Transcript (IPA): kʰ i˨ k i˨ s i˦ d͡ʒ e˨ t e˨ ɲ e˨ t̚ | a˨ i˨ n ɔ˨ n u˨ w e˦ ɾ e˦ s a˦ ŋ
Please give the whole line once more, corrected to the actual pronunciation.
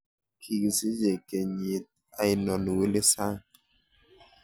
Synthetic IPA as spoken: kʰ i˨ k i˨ s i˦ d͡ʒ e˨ k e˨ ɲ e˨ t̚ | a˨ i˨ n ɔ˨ n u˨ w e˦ l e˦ s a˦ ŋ